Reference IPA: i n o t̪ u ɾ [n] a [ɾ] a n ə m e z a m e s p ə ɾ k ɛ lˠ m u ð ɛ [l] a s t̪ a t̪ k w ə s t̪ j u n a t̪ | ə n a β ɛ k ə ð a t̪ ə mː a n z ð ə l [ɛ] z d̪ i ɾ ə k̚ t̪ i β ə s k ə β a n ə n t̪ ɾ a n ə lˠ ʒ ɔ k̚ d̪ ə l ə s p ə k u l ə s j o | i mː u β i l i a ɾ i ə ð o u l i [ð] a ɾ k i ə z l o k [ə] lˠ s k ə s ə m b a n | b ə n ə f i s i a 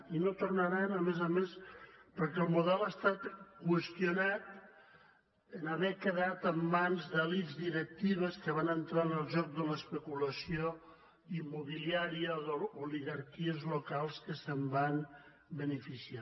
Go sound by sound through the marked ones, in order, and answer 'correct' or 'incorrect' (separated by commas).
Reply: correct, correct, correct, incorrect, incorrect, incorrect